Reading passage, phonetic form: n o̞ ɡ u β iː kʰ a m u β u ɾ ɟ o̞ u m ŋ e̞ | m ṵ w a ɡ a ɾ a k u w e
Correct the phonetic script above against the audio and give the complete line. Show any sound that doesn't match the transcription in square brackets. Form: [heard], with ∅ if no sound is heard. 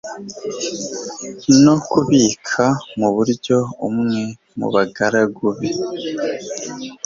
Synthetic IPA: n o̞ [k] u β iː kʰ a m u β u ɾ ɟ o̞ u m ŋ e̞ | m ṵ [β] a ɡ a ɾ a [ɡ] u [β] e